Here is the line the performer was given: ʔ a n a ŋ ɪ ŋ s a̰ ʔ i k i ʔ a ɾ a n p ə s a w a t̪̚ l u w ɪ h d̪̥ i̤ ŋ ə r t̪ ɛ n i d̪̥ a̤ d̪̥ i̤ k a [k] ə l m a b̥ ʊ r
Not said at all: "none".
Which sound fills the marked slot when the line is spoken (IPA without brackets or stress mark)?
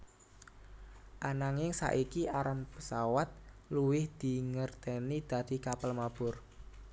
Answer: p